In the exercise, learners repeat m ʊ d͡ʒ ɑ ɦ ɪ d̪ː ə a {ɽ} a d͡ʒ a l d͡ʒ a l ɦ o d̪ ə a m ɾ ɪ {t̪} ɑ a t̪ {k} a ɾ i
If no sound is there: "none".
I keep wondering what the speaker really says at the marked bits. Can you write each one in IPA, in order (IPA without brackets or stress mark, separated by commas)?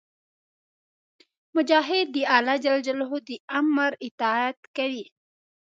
l, t̪, k